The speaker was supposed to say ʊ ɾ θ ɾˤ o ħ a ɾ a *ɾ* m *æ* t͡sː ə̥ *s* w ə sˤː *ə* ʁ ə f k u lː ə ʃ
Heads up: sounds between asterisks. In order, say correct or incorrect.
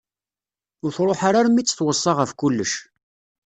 correct, incorrect, incorrect, incorrect

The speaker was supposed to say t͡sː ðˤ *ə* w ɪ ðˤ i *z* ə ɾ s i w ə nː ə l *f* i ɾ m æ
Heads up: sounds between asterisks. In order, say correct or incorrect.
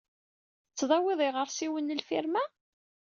incorrect, incorrect, correct

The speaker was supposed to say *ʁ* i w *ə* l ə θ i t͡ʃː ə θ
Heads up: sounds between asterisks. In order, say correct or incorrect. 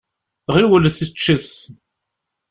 correct, correct

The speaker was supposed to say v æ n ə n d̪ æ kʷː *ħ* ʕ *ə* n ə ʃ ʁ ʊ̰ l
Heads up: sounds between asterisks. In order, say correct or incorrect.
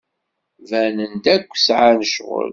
incorrect, incorrect

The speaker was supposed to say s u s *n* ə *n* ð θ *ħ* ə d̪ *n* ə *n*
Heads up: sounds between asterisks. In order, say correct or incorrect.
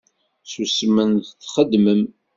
incorrect, correct, incorrect, incorrect, incorrect

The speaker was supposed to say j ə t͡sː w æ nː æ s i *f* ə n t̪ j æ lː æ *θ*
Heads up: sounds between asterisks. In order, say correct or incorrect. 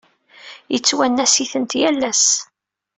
incorrect, incorrect

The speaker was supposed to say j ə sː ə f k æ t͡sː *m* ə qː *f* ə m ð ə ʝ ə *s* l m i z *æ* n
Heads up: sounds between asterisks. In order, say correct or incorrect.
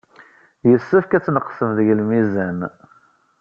incorrect, incorrect, incorrect, correct

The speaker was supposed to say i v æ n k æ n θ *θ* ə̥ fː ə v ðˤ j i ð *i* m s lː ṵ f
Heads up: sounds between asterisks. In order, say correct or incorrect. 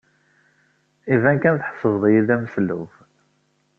incorrect, incorrect

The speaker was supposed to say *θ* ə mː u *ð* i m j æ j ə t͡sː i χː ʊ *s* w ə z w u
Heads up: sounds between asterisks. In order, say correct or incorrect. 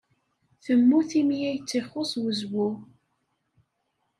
correct, incorrect, correct

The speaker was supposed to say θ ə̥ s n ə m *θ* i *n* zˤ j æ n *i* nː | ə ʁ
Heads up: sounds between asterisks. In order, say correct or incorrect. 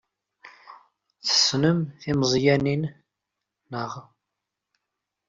correct, incorrect, correct

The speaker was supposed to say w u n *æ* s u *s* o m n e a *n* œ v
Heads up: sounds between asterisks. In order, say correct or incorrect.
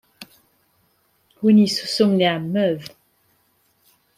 incorrect, correct, incorrect

